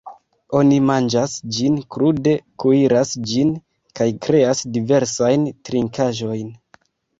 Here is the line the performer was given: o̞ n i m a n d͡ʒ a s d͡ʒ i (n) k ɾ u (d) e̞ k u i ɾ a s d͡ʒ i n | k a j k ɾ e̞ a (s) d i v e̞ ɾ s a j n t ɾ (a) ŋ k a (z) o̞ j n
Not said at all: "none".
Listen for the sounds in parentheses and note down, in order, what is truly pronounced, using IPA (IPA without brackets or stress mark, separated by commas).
n, d, s, i, ʒ